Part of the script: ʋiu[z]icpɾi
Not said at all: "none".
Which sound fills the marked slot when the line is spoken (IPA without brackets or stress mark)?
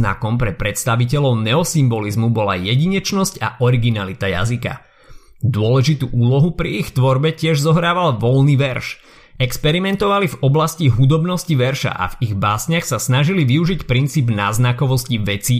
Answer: ʒ